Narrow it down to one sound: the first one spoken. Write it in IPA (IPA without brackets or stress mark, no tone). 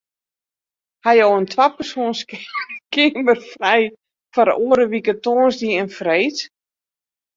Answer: h